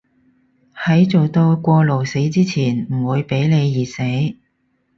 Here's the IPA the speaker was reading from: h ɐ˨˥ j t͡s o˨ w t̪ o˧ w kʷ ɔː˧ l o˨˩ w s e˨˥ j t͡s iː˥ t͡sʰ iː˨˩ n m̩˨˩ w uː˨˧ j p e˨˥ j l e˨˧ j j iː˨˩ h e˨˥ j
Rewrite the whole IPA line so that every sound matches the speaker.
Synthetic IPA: h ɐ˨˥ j t͡s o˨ w t̪ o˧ w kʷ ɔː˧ l o˨˩ w s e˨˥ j t͡s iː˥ t͡sʰ iː˨˩ n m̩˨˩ w uː˨˧ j p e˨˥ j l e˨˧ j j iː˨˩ s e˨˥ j